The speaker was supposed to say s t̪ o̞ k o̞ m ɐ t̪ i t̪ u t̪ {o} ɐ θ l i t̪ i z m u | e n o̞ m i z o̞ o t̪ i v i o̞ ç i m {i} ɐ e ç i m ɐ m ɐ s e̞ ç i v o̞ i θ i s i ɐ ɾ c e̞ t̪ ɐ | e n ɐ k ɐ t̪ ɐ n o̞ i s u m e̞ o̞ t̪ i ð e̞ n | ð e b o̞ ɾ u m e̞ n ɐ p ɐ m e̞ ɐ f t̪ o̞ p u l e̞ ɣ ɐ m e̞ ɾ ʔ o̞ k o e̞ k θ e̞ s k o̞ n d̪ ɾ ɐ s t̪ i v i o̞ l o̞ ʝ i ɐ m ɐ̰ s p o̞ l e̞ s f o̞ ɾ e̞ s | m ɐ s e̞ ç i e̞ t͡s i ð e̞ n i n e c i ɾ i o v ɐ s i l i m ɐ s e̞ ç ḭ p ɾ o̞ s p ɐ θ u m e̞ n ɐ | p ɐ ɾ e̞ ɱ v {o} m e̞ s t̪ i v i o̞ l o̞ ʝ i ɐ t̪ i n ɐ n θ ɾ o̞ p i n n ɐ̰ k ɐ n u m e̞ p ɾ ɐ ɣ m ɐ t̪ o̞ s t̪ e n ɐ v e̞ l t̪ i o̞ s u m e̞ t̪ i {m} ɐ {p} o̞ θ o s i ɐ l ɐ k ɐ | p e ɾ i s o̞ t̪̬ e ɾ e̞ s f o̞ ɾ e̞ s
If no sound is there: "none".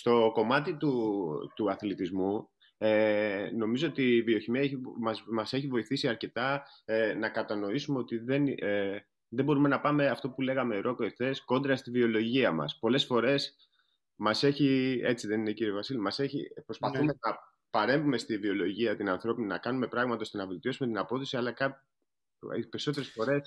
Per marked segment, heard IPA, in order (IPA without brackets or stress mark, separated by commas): u, i, u, n, p